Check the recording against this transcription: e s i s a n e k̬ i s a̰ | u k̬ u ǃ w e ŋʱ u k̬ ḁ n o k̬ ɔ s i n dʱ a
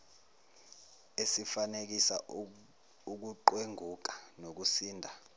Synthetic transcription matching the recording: e s i f a n e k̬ i s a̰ | u k̬ u ǃ w e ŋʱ u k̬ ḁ n o k̬ u s iː n dʱ a